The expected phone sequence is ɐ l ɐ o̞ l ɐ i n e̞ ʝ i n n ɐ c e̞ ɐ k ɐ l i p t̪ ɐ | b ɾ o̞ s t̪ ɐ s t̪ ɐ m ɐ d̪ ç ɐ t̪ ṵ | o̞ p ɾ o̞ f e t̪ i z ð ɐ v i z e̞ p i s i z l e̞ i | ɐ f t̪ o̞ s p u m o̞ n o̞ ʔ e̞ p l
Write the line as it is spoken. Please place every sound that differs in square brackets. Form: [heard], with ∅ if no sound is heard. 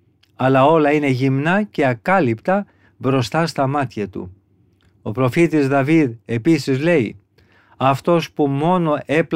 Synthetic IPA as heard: ɐ l ɐ o̞ l ɐ i n e̞ ʝ i [m] n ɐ c e̞ ɐ k ɐ l i p t̪ ɐ | b ɾ o̞ s t̪ ɐ s t̪ ɐ m ɐ [t̪] ç ɐ t̪ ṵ | o̞ p ɾ o̞ f [i] t̪ i z ð ɐ v i [ð] e̞ p i s i z l e̞ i | ɐ f t̪ o̞ s p u m o̞ n o̞ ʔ e̞ p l